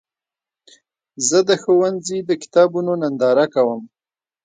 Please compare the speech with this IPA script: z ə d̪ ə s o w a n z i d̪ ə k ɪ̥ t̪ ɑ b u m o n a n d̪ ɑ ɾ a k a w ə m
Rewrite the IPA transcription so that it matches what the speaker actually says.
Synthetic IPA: z ə d̪ ə x o w a n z i d̪ ə k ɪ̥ t̪ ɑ b u n o n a n d̪ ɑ ɾ a k a w ə m